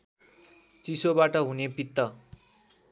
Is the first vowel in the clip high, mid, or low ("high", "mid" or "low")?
high